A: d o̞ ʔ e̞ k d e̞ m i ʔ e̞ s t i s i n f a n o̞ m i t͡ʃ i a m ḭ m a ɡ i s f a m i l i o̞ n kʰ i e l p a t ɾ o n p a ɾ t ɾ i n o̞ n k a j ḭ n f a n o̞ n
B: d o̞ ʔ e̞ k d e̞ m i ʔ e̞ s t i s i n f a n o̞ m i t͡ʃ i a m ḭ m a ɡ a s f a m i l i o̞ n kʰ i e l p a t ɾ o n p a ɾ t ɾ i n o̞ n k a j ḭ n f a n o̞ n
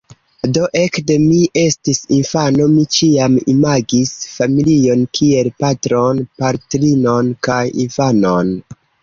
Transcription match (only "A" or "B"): A